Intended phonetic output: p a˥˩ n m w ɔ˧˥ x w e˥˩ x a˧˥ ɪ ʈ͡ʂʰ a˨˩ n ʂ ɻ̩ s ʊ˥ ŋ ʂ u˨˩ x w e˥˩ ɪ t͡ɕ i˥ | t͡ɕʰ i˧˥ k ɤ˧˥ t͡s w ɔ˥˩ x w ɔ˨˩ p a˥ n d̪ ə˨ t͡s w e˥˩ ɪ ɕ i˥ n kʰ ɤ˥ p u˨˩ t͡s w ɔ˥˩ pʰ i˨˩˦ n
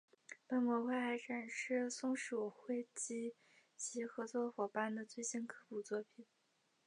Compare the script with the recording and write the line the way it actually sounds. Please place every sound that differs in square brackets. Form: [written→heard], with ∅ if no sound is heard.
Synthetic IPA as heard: p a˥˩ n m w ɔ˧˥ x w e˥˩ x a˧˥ ɪ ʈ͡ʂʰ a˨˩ n ʂ ɻ̩ s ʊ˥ ŋ ʂ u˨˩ x w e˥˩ ɪ t͡ɕ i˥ | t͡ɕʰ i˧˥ [k→x] ɤ˧˥ t͡s w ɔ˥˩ x w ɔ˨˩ p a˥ n d̪ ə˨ t͡s w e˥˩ ɪ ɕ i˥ n kʰ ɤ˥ p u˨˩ t͡s w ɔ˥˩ pʰ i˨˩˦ n